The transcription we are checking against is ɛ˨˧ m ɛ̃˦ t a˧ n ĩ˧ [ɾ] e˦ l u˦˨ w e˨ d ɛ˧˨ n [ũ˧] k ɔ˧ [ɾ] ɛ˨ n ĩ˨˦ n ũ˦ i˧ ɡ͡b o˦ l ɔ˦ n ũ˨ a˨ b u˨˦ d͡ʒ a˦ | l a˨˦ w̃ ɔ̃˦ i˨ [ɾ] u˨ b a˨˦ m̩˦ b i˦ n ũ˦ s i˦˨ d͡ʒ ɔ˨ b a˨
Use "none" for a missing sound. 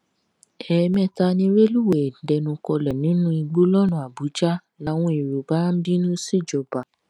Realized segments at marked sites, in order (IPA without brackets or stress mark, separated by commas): ɾ, ũ˧, l, ɾ